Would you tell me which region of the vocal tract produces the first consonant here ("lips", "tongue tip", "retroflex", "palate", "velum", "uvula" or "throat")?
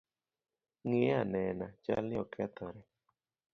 velum